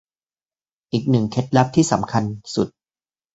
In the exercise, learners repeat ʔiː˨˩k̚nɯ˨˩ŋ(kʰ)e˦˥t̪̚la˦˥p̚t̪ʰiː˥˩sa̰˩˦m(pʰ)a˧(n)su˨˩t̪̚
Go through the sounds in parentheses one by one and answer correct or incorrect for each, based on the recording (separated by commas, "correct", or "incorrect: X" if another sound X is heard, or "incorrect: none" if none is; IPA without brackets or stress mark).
correct, incorrect: kʰ, correct